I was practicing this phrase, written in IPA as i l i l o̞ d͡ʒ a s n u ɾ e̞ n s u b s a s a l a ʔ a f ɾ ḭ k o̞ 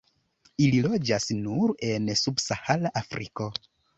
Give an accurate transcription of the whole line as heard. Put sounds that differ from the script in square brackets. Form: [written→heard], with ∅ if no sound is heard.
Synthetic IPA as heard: i l i l o̞ d͡ʒ a s n u ɾ e̞ n s u b s a [s→h] a l a ʔ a f ɾ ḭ k o̞